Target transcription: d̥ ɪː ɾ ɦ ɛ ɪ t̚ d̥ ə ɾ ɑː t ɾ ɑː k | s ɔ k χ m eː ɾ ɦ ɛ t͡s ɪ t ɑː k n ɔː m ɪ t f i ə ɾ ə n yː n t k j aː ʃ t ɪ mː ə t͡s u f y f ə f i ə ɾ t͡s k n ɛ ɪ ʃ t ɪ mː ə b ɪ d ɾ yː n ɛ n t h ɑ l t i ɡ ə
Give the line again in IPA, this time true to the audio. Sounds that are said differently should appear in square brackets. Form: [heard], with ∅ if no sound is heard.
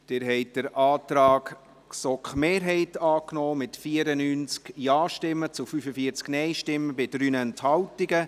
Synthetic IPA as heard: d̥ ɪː ɾ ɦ ɛ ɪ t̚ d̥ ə ɾ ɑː t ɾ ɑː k | s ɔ k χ m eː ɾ ɦ ɛ [∅] ɪ t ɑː k n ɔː m ɪ t f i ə ɾ ə n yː n [t͡s] k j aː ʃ t ɪ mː ə t͡s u f y f ə f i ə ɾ t͡s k n ɛ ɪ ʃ t ɪ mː ə b ɪ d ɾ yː n ɛ n t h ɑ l t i ɡ ə